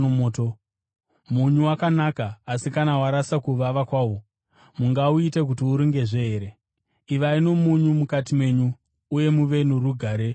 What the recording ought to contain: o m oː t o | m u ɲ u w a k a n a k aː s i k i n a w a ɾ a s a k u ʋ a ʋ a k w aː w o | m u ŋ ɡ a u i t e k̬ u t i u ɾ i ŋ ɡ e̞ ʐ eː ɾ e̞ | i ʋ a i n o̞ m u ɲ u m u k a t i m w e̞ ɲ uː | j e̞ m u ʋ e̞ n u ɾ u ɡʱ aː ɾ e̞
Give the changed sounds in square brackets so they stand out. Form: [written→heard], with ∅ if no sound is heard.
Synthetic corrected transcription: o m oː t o | m u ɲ u w a k a n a k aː s i k [i→a] n a w a ɾ a s a k u ʋ a ʋ a k w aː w o | m u ŋ ɡ a u i t e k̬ u t i u ɾ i ŋ ɡ e̞ ʐ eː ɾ e̞ | i ʋ a i n o̞ m u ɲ u m u k a t i m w e̞ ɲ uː | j e̞ m u ʋ e̞ n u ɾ u ɡʱ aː ɾ e̞